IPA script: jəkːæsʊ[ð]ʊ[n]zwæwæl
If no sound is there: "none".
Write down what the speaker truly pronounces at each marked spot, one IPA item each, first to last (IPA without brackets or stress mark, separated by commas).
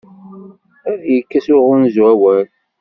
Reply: ʁ, n